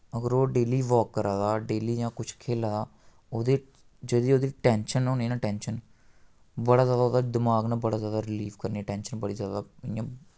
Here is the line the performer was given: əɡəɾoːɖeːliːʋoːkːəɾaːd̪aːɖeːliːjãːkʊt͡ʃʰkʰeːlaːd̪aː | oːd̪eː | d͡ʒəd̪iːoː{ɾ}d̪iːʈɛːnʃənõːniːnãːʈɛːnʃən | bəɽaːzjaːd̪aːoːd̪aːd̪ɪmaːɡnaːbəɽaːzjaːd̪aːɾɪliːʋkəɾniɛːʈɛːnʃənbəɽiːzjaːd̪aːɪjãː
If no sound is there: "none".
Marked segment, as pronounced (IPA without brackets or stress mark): none